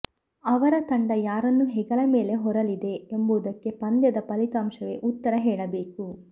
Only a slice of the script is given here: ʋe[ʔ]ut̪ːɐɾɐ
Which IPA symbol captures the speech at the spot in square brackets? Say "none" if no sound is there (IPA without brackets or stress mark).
ʔ